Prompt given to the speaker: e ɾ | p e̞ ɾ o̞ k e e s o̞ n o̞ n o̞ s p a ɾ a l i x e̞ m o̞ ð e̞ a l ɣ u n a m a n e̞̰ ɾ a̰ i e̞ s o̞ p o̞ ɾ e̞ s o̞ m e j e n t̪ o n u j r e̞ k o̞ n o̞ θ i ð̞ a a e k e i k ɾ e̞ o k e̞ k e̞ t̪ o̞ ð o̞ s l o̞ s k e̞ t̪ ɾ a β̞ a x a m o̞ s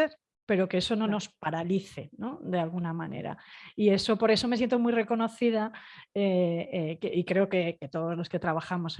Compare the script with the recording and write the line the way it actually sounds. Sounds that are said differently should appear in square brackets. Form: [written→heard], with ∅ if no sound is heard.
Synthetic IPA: e ɾ | p e̞ ɾ o̞ k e e s o̞ n o̞ n o̞ s p a ɾ a l i [x→θ] e̞ [m→n] o̞ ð e̞ a l ɣ u n a m a n e̞̰ ɾ a̰ i e̞ s o̞ p o̞ ɾ e̞ s o̞ m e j e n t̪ o [n→m] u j r e̞ k o̞ n o̞ θ i ð̞ a [a→e] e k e i k ɾ e̞ o k e̞ k e̞ t̪ o̞ ð o̞ [s→z] l o̞ s k e̞ t̪ ɾ a β̞ a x a m o̞ s